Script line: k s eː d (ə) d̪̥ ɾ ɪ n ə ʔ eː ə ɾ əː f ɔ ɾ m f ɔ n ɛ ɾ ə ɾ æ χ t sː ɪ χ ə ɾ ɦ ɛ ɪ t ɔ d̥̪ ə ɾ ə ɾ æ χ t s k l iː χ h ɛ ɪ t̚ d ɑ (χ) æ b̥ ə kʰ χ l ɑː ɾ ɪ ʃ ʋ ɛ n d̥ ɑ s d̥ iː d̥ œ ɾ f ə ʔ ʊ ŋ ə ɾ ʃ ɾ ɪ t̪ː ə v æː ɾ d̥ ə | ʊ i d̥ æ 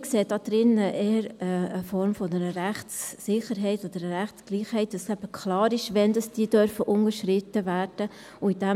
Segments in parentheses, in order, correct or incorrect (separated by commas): incorrect, incorrect